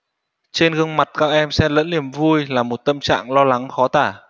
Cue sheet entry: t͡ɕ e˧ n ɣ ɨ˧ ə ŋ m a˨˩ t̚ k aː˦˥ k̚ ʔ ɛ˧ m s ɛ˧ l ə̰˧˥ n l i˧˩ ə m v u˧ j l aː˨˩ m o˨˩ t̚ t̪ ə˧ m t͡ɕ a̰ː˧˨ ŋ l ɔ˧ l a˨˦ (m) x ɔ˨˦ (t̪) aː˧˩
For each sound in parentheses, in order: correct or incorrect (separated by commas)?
incorrect, correct